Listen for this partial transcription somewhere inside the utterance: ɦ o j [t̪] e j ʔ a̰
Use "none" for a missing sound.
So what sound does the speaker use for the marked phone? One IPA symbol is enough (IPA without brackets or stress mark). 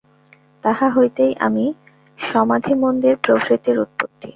t̪